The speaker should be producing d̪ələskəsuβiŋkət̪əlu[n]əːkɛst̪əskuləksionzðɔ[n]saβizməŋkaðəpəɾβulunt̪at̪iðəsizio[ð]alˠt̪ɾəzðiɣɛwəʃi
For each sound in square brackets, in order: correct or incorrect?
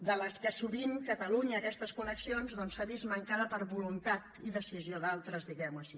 incorrect: ɲ, correct, correct

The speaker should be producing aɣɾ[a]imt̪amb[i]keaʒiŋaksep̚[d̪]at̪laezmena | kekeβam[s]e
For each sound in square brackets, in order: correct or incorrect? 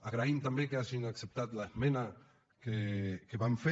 correct, incorrect: e, incorrect: t̪, incorrect: f

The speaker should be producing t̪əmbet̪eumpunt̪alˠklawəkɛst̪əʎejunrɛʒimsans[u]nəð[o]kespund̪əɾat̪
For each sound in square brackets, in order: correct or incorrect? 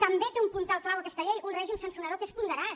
correct, correct

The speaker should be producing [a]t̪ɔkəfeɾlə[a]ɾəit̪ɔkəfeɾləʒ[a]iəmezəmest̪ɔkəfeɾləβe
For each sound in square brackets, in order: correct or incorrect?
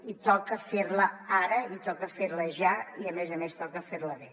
incorrect: i, correct, correct

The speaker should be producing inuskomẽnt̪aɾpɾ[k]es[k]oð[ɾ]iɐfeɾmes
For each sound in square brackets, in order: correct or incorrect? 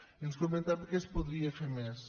correct, incorrect: p, correct

